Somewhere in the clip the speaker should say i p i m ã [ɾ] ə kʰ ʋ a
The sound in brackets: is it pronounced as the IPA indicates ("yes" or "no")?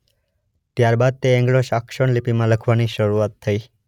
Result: no